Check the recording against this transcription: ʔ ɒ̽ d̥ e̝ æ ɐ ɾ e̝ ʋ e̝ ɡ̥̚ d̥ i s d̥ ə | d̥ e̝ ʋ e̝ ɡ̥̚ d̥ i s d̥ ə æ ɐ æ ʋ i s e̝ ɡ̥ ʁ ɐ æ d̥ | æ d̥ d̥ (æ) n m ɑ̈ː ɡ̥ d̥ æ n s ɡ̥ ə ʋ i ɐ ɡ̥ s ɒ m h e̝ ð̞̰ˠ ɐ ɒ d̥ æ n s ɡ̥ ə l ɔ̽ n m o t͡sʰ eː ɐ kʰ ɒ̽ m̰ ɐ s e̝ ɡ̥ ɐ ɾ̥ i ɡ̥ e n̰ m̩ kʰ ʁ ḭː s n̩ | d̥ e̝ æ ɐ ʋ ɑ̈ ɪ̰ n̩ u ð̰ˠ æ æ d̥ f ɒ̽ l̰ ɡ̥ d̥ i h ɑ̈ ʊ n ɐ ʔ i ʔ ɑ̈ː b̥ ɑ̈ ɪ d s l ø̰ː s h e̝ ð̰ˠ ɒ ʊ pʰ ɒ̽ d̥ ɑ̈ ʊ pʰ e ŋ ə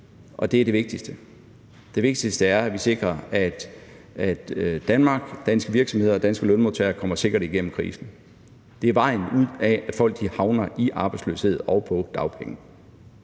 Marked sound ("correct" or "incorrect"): correct